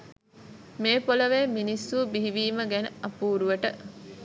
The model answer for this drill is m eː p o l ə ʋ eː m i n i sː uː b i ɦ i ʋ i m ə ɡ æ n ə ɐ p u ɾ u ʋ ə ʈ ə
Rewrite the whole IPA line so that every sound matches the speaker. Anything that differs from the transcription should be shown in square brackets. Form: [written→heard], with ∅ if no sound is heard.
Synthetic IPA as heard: m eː p o l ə ʋ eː m i n i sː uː b i ɦ i ʋ [i→iː] m ə ɡ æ n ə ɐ p [u→uː] ɾ u ʋ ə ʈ ə